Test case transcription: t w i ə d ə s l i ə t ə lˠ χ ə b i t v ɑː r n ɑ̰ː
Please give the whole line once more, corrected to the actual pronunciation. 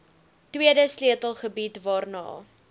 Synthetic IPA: t w i ə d ə s l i ə t ə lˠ χ ə b i t v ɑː r n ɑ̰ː